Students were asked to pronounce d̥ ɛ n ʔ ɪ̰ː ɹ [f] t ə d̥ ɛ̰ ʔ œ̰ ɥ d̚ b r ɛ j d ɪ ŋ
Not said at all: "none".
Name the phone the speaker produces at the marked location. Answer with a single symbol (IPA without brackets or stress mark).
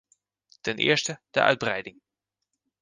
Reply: s